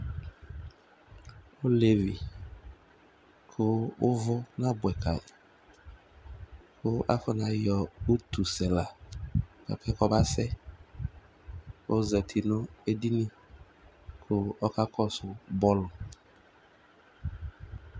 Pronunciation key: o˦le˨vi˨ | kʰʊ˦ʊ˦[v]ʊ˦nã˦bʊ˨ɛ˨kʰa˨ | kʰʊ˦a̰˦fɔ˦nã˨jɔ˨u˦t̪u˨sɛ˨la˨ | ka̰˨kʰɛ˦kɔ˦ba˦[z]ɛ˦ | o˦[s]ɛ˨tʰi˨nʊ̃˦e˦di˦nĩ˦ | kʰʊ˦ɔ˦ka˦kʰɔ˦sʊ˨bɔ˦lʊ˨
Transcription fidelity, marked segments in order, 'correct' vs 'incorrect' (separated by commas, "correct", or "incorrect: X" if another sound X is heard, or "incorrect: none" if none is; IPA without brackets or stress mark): correct, incorrect: s, incorrect: z